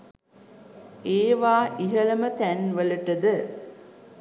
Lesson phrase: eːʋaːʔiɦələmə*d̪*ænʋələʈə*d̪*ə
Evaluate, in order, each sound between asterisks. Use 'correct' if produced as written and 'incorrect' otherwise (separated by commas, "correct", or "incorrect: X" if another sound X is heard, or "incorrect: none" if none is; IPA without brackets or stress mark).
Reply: incorrect: t̪, correct